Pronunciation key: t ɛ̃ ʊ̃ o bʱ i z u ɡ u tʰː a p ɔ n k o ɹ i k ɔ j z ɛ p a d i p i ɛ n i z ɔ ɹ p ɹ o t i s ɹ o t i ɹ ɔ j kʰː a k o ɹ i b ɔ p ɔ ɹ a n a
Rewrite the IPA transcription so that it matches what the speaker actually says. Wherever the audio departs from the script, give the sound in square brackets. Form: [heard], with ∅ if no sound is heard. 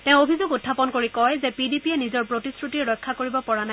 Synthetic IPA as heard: t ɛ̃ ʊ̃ o bʱ i z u ɡ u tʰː a p ɔ n k o ɹ i k ɔ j z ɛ p [i] d i p i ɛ n i z ɔ ɹ p ɹ o t i s ɹ [u] t i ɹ ɔ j kʰː a k o ɹ i b ɔ p ɔ ɹ a n a